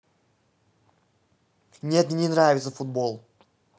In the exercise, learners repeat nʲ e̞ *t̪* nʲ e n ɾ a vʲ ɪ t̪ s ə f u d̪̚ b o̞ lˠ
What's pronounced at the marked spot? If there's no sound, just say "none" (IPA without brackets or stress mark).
t̪